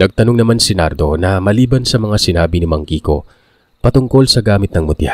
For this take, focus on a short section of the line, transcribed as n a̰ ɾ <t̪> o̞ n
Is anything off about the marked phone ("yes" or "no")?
yes